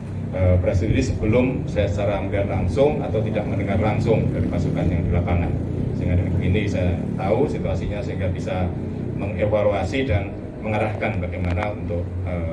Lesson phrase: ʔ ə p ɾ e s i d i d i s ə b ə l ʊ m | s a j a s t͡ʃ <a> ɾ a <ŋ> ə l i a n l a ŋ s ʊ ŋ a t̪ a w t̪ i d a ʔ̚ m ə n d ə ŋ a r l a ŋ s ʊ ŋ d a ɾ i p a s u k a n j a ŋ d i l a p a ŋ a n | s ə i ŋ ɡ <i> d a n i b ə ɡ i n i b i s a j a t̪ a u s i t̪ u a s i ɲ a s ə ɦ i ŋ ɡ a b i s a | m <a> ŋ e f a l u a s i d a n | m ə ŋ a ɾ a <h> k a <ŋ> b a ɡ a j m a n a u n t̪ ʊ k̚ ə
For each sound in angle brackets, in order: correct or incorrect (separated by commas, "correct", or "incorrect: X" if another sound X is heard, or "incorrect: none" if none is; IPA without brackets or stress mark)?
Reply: correct, incorrect: m, incorrect: a, incorrect: ə, correct, incorrect: n